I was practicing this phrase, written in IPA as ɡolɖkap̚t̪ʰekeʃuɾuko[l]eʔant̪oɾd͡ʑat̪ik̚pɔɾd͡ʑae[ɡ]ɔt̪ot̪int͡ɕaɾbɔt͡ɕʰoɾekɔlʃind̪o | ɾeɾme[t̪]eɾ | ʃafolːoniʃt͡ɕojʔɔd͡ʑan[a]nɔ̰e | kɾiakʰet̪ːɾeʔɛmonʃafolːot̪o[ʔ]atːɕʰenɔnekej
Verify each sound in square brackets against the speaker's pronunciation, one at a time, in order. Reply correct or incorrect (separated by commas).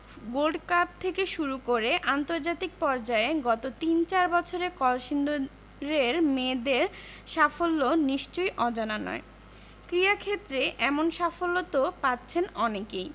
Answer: incorrect, correct, incorrect, correct, incorrect